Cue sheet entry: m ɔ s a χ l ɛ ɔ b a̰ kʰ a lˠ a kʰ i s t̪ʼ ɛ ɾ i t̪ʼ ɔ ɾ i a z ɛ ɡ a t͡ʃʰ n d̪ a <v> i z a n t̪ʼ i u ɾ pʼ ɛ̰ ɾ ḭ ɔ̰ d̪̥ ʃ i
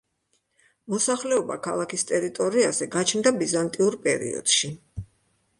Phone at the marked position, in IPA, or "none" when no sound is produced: b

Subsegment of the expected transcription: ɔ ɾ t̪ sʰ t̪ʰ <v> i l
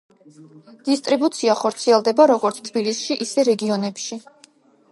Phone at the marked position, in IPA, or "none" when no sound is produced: b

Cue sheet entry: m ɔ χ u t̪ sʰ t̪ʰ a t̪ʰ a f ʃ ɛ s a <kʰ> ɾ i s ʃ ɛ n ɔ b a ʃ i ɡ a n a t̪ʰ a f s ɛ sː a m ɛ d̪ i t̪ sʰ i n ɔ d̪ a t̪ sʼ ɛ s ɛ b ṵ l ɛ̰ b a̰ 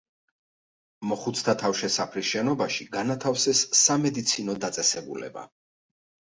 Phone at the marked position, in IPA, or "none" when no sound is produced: pʰ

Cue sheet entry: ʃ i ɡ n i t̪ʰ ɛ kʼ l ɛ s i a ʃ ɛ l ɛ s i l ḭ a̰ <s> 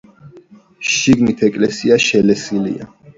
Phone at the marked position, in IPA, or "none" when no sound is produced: none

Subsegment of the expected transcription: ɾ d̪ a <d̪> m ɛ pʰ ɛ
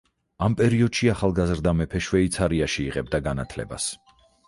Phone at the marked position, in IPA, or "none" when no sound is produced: none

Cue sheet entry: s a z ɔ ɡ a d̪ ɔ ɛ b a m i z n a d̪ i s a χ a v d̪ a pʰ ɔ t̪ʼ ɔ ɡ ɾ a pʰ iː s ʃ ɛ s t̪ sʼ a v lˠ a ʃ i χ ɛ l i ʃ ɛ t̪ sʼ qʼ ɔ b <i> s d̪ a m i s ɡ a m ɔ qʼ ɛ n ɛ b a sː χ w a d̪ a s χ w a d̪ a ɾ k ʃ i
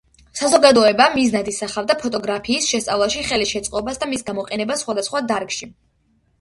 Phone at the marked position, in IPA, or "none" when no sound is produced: a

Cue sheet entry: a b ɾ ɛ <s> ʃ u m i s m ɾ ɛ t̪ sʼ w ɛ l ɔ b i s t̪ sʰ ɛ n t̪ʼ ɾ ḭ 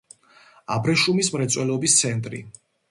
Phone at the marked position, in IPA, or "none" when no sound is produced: none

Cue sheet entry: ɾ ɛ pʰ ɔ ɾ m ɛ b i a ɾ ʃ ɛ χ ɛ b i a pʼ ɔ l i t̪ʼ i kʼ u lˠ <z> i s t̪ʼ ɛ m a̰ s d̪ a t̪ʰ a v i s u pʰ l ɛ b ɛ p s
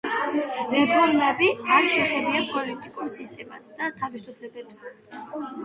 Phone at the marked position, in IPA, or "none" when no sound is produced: s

